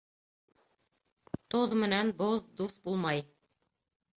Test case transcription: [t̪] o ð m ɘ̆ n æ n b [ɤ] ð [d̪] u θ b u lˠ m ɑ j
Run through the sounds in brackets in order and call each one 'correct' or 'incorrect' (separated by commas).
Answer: correct, incorrect, correct